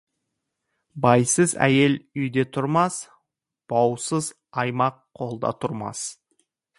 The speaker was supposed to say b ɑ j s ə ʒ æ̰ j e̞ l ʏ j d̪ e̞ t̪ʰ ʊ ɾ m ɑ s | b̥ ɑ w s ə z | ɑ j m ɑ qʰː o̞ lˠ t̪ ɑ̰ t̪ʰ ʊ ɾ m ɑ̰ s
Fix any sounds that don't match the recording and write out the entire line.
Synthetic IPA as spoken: b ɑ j s ə z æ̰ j e̞ l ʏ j d̪ e̞ t̪ʰ ʊ ɾ m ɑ s | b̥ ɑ w s ə z | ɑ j m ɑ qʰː o̞ lˠ d̪ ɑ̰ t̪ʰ ʊ ɾ m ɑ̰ s